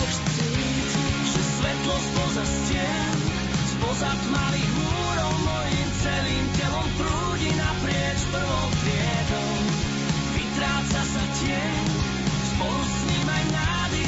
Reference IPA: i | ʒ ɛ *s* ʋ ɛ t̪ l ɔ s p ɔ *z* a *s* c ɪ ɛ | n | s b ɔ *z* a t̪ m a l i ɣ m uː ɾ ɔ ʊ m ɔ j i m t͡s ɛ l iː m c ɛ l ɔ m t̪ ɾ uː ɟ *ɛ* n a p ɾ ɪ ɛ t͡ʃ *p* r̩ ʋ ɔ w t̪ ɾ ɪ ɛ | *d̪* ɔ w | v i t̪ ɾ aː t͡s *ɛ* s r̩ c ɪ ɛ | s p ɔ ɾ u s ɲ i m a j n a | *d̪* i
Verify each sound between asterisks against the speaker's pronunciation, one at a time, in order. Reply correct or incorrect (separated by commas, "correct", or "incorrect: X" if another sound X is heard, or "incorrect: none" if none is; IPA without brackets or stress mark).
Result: correct, correct, correct, correct, incorrect: i, correct, correct, incorrect: a, correct